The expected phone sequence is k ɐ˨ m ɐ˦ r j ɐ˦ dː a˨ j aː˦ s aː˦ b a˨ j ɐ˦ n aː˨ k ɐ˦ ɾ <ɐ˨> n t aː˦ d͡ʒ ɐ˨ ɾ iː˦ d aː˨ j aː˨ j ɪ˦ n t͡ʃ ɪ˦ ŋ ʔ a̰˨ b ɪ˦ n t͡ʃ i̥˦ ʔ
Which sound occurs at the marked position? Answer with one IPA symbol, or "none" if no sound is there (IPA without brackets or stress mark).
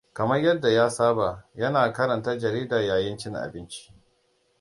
ɐ˨